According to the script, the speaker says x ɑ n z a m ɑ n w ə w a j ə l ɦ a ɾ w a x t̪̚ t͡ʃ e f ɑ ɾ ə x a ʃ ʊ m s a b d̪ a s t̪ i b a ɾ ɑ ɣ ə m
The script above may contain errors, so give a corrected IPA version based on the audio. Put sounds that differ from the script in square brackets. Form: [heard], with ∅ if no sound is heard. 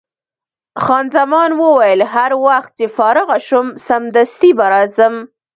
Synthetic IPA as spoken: x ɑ n z a m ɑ n w ə w a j ə l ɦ a ɾ w a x t̪̚ t͡ʃ e f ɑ ɾ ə [ɣ] a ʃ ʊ m s a [m] d̪ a s t̪ i b a ɾ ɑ [z] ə m